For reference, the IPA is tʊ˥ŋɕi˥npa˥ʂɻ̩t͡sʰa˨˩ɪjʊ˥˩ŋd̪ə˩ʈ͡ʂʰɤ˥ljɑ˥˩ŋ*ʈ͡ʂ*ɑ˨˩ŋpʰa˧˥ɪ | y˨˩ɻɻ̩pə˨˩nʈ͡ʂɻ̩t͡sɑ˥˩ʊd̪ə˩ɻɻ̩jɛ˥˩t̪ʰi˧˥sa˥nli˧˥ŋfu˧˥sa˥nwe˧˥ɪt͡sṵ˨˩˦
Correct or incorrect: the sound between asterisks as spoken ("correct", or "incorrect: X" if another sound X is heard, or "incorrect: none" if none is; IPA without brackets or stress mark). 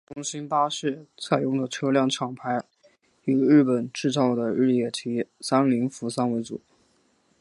incorrect: ʈ͡ʂʰ